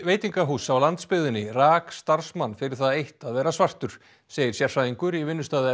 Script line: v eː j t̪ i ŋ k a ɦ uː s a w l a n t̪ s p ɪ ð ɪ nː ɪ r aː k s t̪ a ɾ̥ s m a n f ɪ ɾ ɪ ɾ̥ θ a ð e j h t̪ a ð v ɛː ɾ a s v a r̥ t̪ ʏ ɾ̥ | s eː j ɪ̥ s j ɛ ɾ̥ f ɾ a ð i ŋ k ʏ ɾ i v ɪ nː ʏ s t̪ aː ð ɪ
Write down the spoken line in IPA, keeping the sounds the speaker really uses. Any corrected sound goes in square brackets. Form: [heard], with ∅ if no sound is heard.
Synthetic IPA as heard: v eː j t̪ i ŋ k a ɦ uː s a w l a n t̪ s p ɪ ð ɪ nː ɪ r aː k s t̪ a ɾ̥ s m a n f ɪ ɾ ɪ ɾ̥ θ a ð e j h t̪ a ð v ɛː ɾ a s v a r̥ t̪ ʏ ɾ̥ | s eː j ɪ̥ s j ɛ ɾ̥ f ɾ a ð i ŋ k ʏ ɾ i v ɪ nː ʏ s t̪ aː ð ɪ